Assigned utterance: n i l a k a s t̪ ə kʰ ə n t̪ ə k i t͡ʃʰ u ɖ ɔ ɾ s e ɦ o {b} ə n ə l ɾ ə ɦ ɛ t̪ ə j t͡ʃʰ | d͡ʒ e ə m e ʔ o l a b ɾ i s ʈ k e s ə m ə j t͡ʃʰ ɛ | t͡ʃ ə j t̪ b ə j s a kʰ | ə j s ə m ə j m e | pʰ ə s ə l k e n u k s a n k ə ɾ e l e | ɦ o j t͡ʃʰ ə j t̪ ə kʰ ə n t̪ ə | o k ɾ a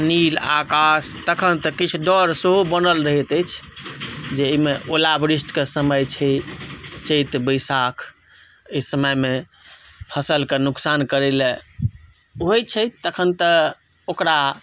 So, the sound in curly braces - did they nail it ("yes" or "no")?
yes